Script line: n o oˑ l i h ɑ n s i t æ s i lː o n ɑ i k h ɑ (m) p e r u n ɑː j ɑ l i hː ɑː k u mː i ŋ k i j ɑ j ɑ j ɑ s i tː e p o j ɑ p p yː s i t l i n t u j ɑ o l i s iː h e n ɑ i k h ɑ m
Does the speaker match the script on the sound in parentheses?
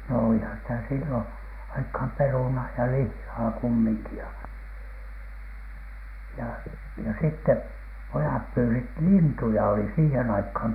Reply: yes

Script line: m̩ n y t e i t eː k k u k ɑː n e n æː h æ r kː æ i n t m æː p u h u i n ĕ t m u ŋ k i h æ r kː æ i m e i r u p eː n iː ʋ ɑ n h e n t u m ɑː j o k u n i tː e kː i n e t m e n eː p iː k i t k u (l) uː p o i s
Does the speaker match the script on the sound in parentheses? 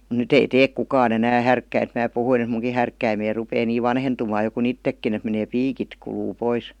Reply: yes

